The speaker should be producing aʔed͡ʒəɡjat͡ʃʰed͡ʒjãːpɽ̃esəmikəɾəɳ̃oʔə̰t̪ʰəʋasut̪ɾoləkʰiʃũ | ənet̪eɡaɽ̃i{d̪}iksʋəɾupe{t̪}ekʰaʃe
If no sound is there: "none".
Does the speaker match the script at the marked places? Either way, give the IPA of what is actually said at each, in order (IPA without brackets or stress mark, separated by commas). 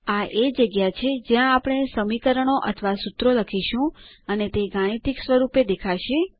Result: t̪, d̪